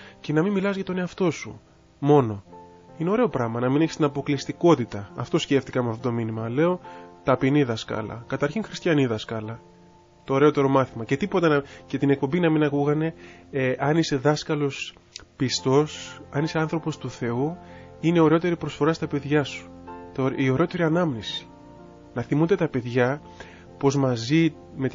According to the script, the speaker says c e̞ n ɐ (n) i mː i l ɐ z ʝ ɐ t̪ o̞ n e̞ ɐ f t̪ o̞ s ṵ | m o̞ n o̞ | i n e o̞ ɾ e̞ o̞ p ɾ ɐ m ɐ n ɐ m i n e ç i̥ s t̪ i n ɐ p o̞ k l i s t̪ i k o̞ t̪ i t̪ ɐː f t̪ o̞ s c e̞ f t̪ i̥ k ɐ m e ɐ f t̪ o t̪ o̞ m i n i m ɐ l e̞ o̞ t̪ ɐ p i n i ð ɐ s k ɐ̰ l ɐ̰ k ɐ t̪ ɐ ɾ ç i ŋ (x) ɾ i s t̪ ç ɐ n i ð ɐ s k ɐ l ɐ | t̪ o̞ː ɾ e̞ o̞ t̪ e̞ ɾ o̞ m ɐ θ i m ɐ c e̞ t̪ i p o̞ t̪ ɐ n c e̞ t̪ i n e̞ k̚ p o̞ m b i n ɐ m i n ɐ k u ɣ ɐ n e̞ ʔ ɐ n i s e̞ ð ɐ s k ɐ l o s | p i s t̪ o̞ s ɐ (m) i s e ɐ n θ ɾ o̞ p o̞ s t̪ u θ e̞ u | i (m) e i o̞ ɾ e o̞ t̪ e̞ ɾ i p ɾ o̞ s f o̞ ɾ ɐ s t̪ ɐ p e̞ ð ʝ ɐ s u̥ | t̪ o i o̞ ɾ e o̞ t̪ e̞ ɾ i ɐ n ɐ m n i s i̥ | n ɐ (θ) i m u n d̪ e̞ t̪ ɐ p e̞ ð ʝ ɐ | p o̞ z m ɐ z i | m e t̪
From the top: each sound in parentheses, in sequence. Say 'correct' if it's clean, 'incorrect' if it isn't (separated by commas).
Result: incorrect, correct, incorrect, incorrect, correct